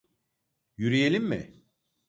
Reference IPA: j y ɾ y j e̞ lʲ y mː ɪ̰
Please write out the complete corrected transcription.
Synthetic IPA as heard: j y ɾ i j e̞ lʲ i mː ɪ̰